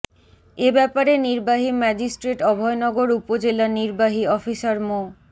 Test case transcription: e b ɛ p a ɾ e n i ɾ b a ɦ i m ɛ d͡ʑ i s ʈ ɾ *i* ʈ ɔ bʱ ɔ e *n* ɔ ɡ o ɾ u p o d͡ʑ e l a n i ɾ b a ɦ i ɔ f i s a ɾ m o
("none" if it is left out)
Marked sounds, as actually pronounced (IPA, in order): e, n

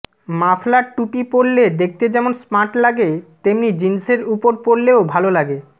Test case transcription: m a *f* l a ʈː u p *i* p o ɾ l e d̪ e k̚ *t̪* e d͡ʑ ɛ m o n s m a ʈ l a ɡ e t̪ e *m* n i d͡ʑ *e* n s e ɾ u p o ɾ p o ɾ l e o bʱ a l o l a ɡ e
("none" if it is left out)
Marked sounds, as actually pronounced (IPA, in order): f, i, t̪, m, i

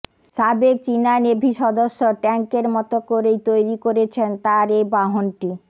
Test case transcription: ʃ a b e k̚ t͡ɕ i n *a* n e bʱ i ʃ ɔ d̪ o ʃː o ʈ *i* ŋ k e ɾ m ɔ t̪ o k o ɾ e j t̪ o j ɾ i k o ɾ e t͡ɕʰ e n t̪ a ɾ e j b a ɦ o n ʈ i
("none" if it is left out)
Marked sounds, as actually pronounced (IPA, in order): a, ɛ

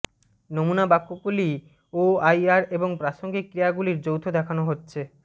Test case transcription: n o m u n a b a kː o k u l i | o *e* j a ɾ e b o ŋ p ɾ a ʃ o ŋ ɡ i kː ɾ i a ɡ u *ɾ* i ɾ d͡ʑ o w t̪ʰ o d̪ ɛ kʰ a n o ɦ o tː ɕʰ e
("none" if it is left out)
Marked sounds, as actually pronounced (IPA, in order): a, l

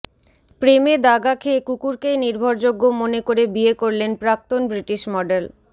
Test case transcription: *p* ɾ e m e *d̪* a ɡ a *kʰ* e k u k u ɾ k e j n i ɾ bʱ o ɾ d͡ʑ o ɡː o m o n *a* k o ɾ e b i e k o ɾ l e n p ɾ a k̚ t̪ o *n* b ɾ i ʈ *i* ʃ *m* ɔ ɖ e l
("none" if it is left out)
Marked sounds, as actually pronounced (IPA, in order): p, d̪, kʰ, e, n, i, m

